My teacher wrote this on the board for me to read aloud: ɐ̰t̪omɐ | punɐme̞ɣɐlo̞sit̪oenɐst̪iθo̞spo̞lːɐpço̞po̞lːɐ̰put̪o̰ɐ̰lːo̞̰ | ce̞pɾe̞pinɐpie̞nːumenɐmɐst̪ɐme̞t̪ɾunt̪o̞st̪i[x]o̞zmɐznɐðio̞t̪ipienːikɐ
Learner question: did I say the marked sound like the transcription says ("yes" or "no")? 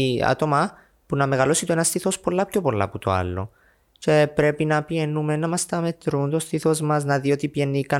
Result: no